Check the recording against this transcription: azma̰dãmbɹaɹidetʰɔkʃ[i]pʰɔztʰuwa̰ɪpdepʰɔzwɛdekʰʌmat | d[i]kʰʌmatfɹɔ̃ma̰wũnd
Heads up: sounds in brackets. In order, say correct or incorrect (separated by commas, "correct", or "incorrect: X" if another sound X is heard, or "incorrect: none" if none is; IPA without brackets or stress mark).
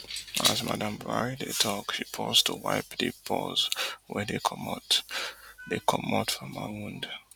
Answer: correct, incorrect: e